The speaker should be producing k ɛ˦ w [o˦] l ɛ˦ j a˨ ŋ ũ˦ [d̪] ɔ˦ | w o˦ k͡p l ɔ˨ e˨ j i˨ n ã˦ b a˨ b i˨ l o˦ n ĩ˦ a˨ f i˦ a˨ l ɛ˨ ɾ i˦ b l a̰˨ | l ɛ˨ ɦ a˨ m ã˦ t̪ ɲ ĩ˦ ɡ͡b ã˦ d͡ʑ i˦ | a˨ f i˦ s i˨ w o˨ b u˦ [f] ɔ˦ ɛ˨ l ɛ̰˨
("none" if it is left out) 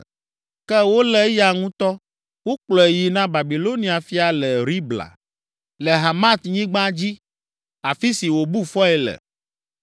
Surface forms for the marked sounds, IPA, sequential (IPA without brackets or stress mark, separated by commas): o˦, t̪, f